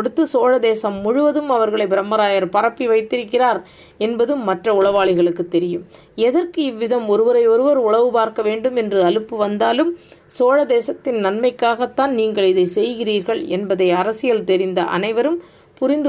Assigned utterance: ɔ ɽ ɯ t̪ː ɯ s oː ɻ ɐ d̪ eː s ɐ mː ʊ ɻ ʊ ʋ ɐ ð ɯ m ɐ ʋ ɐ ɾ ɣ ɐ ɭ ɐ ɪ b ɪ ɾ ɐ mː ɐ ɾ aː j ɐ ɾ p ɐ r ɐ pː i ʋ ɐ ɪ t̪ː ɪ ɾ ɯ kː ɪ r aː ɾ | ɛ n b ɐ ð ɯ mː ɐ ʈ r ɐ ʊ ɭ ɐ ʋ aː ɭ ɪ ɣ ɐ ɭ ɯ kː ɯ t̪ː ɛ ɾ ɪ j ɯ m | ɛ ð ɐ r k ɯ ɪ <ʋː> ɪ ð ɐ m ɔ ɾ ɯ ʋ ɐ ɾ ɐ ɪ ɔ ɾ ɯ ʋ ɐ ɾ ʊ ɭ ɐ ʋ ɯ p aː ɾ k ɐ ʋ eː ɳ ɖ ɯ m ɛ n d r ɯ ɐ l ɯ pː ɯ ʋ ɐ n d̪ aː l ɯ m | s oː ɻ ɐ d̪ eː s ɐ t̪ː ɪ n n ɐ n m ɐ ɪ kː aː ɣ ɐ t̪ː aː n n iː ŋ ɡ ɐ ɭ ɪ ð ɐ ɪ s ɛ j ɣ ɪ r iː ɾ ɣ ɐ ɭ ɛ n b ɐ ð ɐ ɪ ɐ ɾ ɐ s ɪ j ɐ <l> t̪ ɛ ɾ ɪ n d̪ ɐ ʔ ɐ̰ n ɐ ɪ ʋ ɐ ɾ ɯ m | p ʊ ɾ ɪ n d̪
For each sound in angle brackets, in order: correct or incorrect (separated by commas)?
correct, correct